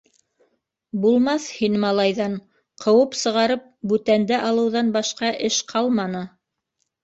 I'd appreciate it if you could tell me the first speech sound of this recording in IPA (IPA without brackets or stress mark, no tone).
b